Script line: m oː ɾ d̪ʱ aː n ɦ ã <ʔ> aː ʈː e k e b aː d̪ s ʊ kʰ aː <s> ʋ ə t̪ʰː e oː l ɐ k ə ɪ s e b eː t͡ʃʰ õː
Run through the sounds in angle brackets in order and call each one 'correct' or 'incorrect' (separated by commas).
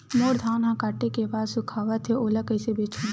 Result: incorrect, incorrect